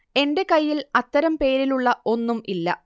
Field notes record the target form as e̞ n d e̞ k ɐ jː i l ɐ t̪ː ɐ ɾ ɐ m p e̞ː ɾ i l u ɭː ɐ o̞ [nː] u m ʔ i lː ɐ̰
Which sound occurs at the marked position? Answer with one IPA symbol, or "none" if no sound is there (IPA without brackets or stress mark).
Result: nː